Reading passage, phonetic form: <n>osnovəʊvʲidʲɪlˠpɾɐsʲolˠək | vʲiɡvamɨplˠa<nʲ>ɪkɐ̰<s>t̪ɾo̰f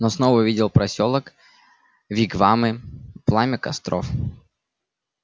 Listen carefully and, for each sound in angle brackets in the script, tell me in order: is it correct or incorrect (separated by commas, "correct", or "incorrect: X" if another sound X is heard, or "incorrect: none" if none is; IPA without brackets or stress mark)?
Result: correct, incorrect: mʲ, correct